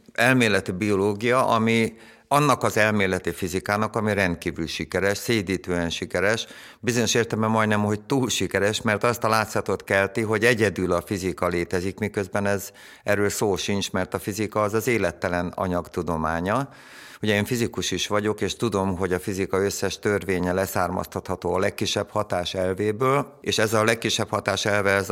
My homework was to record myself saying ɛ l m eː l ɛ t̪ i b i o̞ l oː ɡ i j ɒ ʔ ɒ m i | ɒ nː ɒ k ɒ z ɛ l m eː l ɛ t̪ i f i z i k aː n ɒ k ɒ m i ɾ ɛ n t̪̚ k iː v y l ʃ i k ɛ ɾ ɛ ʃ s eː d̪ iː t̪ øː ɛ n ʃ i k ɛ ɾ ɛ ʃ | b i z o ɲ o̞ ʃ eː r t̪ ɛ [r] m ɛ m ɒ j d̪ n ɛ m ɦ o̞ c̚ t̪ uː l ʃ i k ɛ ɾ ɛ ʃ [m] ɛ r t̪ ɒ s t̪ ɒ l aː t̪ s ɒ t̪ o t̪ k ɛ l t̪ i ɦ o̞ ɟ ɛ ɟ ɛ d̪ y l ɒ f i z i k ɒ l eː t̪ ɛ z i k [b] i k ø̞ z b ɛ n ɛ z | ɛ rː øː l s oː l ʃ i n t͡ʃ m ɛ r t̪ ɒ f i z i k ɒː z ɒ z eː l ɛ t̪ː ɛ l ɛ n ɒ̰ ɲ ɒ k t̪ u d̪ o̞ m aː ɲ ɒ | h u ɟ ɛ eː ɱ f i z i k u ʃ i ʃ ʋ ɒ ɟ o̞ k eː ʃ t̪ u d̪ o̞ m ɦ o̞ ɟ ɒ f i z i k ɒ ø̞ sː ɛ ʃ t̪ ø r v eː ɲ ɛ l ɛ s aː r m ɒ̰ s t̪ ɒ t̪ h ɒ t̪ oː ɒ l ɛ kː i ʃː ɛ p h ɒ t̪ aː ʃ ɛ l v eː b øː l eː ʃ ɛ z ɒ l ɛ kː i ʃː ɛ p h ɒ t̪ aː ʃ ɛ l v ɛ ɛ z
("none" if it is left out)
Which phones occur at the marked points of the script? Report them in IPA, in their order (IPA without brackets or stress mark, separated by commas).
l, m, m